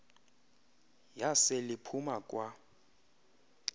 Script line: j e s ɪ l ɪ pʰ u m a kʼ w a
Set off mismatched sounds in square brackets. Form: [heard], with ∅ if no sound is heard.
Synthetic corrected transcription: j [a] s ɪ l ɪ pʰ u m a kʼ w a